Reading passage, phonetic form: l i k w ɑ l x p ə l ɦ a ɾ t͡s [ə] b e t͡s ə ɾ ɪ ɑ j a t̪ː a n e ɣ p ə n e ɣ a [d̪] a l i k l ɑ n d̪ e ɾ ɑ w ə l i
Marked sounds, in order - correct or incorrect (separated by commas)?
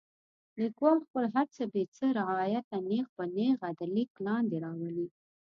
correct, correct